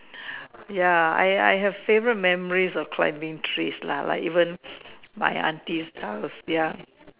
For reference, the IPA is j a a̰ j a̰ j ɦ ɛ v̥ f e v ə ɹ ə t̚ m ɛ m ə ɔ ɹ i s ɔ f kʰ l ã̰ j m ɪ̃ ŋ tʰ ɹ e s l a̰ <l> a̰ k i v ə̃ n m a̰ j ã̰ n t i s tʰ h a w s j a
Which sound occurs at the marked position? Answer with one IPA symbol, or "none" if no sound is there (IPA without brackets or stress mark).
l